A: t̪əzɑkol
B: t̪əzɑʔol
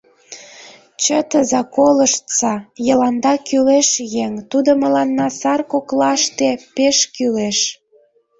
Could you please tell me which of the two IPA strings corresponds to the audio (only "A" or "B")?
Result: A